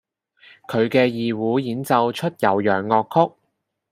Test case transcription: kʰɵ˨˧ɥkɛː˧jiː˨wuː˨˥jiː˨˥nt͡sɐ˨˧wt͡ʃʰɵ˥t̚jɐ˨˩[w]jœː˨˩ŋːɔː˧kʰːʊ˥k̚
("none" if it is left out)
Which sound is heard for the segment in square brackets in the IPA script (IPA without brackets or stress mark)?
w